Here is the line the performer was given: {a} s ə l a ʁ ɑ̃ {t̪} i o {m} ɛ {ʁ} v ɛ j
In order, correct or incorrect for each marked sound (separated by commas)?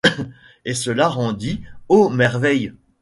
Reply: incorrect, incorrect, correct, correct